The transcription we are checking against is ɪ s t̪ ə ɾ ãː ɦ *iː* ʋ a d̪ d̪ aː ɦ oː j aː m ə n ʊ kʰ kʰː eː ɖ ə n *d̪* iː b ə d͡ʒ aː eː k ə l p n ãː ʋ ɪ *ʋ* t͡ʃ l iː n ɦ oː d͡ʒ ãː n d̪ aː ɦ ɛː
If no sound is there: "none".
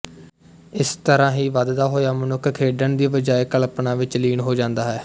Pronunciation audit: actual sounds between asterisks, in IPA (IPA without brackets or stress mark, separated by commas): iː, d̪, none